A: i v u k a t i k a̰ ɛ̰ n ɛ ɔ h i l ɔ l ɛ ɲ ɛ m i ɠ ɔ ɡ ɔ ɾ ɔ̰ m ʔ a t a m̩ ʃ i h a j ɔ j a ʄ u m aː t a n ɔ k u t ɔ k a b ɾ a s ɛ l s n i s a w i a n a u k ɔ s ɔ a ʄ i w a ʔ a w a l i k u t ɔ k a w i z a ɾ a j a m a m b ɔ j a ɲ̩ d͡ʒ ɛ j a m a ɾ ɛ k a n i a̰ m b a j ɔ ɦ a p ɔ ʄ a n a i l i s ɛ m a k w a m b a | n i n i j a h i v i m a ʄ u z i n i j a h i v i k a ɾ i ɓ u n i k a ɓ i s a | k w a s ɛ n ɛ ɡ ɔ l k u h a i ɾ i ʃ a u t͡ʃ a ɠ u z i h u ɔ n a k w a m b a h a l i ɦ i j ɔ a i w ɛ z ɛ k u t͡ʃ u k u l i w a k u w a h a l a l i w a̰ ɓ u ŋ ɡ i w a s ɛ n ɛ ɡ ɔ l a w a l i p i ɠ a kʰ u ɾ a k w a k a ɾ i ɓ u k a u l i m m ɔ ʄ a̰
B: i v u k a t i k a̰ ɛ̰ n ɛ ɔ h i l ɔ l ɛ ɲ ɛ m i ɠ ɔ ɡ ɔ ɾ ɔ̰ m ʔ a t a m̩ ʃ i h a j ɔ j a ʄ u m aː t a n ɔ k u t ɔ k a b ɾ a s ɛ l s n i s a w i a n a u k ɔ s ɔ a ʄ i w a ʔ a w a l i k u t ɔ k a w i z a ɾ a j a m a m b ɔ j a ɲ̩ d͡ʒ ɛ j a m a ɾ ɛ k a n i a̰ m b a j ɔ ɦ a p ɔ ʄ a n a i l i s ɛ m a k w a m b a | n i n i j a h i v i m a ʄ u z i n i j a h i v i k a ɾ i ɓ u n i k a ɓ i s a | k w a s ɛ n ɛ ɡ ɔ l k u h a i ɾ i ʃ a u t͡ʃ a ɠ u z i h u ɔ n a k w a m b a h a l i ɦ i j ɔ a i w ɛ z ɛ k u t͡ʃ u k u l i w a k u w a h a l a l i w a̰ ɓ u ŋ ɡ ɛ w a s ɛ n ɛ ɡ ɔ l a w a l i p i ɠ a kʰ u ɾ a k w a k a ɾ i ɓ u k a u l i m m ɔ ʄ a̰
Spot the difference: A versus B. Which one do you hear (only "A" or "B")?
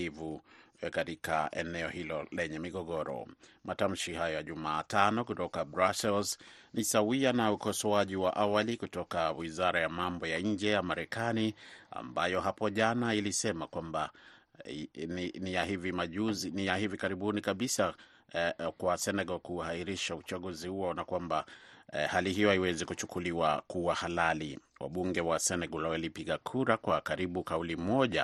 B